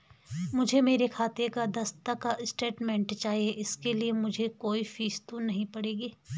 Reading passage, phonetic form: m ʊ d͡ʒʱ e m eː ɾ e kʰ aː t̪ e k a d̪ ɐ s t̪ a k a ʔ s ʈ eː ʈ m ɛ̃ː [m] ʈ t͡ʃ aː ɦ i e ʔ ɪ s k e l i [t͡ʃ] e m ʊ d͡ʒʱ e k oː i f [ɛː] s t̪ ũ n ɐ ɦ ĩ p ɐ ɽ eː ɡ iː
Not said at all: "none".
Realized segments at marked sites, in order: ɳ, none, iː

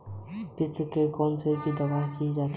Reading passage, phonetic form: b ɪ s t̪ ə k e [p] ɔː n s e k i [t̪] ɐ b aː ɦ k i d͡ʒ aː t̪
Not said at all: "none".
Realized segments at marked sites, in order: k, d̪

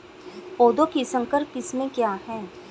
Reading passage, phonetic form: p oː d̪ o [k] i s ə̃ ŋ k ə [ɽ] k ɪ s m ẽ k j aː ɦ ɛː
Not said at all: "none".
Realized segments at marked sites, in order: k, ɾ

